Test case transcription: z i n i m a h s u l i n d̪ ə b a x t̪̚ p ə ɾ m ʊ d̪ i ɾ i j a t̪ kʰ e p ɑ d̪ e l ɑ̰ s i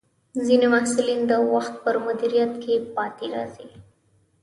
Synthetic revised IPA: z i n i m a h s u l i n d̪ ə w a x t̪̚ p ə ɾ m ʊ d̪ i ɾ i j a t̪ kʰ e p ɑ t̪ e ɾ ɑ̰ z i